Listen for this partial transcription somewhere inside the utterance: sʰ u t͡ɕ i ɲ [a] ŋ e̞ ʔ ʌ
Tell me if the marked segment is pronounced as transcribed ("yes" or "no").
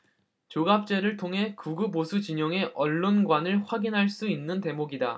no